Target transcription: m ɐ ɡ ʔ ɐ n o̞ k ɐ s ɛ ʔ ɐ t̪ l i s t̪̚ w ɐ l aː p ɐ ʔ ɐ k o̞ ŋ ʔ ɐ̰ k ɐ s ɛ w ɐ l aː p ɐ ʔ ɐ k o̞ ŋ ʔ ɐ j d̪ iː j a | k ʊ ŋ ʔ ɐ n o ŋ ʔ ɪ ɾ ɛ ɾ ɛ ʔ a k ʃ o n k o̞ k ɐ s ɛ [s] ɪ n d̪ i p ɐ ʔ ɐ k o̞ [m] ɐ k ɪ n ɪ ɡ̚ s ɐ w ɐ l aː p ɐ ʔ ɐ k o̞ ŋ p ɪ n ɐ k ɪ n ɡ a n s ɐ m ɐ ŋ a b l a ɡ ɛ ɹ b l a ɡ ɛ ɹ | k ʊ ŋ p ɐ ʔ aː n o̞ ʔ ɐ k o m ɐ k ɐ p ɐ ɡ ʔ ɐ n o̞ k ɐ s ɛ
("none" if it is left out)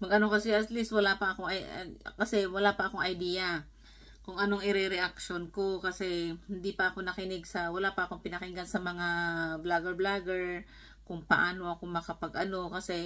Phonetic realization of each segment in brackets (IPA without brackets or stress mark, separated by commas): h, n